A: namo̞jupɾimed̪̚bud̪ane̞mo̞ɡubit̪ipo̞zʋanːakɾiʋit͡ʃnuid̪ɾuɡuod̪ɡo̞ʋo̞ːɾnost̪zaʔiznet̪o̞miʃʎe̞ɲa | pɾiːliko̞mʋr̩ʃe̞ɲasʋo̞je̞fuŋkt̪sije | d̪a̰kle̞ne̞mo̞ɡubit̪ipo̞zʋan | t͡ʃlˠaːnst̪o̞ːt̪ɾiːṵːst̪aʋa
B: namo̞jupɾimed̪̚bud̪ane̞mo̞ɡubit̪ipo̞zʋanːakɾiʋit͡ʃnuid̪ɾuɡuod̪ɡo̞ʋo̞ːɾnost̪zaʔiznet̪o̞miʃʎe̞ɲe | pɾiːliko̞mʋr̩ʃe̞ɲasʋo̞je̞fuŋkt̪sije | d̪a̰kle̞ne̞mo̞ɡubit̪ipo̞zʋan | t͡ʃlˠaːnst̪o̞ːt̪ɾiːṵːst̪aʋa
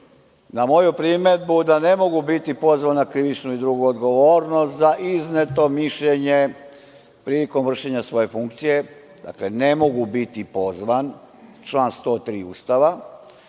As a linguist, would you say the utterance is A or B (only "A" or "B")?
B